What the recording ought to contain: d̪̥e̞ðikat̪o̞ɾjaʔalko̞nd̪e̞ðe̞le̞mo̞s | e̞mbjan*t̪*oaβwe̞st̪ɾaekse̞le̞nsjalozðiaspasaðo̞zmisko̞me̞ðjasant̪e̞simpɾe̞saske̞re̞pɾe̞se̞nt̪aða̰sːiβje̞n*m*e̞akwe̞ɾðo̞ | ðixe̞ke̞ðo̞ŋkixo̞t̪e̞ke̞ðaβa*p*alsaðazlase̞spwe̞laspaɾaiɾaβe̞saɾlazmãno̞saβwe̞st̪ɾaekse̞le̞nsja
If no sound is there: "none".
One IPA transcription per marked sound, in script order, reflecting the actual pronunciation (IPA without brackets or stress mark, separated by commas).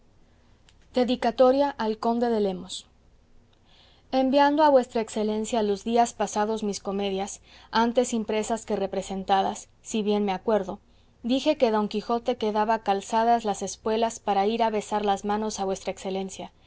d̪, m, k